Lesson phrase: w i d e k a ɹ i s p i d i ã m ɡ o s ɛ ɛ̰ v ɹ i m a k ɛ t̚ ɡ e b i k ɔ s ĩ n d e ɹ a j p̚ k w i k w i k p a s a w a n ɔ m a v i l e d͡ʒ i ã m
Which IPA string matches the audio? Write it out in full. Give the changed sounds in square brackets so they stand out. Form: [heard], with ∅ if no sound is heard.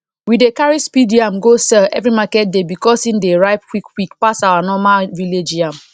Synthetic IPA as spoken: w i d e k a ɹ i s p i d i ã m ɡ o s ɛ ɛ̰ v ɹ i m a k ɛ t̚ [d] e b i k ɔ s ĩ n d e ɹ a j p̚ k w i k w i k p a s a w a n ɔ m a v i l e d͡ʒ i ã m